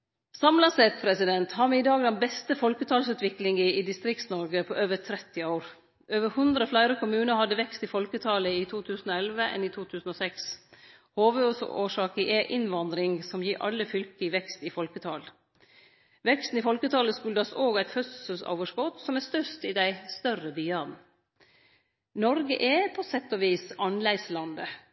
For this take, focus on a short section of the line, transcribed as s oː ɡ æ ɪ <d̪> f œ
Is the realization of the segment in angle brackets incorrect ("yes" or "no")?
yes